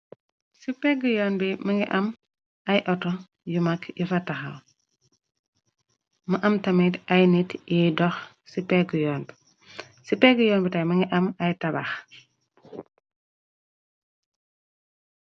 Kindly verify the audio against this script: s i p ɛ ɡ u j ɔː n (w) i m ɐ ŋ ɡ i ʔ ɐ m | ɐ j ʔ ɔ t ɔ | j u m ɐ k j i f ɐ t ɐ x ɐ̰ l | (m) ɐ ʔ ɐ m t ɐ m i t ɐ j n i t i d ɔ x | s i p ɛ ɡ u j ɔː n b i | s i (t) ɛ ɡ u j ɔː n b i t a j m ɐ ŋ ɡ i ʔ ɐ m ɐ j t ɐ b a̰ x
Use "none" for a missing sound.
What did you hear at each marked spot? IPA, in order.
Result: b, m, p

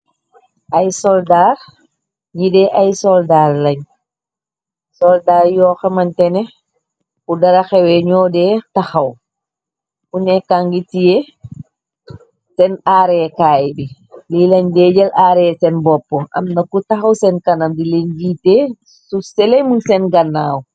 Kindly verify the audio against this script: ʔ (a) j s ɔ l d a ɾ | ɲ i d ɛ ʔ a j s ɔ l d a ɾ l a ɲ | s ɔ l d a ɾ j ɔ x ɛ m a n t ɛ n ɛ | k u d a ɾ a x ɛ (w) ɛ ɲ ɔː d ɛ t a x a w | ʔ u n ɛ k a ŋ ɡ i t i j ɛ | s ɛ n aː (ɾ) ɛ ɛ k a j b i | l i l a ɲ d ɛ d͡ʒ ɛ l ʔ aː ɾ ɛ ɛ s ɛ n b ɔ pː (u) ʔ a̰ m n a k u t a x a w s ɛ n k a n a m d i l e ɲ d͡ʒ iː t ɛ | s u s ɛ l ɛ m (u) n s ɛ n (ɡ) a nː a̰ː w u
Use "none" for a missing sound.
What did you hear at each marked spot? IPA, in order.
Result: a, w, ɾ, ɔ, u, ɡ

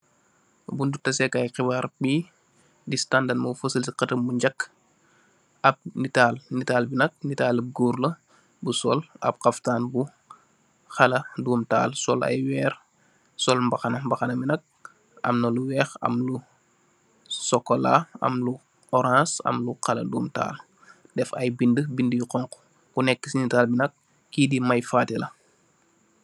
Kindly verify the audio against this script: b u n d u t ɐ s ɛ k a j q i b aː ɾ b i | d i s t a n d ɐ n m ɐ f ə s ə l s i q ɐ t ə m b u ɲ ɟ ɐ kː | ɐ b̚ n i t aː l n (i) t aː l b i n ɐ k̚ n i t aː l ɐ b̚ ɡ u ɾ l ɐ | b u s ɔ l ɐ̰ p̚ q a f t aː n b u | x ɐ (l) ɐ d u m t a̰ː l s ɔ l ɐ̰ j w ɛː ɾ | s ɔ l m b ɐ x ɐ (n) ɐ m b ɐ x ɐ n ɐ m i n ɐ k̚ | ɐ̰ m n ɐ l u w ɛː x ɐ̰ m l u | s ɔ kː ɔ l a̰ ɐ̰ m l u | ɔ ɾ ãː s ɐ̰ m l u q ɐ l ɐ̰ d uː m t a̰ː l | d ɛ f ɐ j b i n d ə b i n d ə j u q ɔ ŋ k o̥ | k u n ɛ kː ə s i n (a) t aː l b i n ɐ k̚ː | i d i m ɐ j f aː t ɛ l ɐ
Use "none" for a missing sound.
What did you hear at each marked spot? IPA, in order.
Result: i, l, n, i

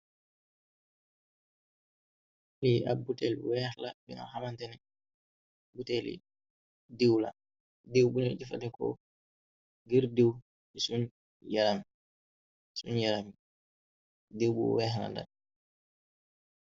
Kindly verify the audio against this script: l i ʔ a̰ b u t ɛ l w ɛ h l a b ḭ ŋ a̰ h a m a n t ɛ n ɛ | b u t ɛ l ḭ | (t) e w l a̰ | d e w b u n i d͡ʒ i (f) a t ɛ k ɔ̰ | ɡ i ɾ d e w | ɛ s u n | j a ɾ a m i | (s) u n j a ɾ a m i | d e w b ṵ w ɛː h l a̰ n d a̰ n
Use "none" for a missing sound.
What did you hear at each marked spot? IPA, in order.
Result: d, f, s

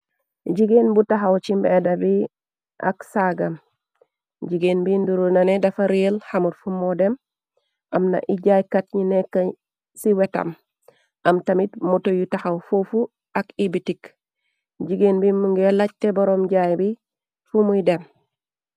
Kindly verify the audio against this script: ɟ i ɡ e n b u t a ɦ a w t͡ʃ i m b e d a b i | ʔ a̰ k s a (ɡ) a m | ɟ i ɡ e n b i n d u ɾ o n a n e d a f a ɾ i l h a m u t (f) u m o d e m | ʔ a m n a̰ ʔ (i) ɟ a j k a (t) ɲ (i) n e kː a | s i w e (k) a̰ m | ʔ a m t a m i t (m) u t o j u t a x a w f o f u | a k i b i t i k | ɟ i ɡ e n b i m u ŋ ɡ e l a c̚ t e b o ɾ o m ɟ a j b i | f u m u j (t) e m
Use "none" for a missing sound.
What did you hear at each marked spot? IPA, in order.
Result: ɡ, f, i, t, i, t, m, d

